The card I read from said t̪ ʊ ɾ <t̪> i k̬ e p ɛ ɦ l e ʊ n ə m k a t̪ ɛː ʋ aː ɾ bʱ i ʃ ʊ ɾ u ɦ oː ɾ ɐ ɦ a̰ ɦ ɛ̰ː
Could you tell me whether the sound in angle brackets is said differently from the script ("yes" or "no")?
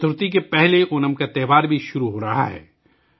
no